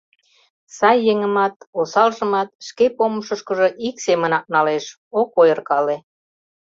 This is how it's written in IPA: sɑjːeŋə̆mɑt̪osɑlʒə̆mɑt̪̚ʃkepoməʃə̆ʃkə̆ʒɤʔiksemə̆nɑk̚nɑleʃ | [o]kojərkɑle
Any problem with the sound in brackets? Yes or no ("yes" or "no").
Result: no